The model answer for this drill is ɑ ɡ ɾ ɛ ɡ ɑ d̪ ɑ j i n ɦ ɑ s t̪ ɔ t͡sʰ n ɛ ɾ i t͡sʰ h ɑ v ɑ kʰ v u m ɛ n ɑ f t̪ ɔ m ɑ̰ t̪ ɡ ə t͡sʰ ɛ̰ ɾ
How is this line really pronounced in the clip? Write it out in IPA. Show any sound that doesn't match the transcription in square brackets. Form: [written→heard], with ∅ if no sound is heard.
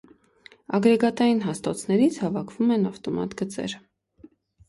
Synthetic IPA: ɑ ɡ ɾ ɛ ɡ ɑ [d̪→t̪] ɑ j i n ɦ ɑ s t̪ ɔ t͡sʰ n ɛ ɾ i t͡sʰ h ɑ v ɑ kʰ v u m ɛ n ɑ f t̪ ɔ m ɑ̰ t̪ ɡ ə [t͡sʰ→t͡s] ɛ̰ ɾ